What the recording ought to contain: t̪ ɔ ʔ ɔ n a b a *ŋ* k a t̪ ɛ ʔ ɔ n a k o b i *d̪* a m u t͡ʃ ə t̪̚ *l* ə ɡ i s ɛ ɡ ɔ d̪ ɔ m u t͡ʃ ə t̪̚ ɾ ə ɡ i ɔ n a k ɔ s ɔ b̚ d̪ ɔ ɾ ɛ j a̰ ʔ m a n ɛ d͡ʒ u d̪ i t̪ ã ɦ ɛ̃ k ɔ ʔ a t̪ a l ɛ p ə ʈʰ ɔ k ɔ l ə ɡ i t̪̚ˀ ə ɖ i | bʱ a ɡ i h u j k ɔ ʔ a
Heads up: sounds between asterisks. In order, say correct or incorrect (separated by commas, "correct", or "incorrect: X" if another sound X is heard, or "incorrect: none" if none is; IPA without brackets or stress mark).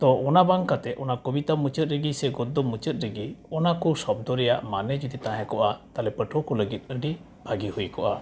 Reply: correct, incorrect: t̪, incorrect: ɾ